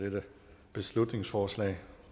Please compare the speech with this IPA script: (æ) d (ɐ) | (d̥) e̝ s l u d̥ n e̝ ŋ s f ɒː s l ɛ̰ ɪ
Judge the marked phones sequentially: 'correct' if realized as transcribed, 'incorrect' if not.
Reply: incorrect: e, incorrect: ə, incorrect: b̥

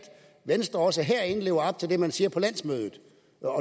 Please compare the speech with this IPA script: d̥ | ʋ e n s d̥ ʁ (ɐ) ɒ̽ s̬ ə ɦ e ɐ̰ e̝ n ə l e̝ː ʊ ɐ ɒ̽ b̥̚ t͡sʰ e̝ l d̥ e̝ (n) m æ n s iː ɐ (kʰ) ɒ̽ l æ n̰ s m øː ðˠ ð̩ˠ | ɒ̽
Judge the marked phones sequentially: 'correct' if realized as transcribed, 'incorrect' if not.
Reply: correct, incorrect: none, incorrect: pʰ

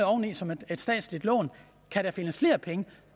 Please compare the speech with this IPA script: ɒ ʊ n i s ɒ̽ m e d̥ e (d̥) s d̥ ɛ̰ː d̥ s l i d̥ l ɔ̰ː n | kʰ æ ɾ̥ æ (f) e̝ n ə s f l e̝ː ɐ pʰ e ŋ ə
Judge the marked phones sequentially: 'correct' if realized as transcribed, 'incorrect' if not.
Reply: correct, correct

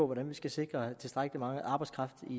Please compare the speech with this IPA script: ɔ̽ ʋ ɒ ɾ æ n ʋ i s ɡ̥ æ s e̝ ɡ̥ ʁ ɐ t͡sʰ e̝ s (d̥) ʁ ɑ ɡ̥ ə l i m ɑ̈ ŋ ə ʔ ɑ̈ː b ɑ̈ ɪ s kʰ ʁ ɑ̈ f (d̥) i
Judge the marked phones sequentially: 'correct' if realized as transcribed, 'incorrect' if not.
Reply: correct, correct

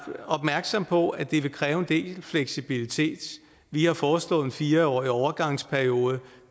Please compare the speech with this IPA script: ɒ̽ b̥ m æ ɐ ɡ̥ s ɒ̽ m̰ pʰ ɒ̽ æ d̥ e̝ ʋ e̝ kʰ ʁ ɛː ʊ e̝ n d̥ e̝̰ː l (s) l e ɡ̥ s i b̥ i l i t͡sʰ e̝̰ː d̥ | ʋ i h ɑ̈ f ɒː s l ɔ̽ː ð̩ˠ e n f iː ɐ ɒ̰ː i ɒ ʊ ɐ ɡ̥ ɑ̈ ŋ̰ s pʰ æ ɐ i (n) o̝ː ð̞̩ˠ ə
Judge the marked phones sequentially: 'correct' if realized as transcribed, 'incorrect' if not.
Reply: incorrect: f, incorrect: none

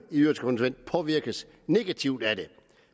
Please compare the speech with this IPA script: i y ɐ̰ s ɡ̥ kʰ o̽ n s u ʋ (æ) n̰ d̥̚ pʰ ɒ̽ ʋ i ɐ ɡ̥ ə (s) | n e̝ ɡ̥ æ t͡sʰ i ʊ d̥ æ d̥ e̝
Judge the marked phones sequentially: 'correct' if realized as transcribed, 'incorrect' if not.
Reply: incorrect: e, correct

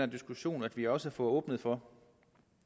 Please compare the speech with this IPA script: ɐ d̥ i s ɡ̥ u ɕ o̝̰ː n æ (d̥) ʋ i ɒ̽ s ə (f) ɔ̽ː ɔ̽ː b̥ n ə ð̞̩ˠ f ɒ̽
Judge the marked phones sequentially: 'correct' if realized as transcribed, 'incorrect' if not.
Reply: correct, correct

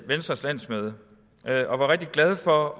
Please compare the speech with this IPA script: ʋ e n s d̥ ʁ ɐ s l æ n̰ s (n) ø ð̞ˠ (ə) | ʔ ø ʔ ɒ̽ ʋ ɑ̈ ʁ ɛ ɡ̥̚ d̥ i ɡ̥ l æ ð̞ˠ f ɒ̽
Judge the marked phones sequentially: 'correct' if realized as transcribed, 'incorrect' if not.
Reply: incorrect: m, correct

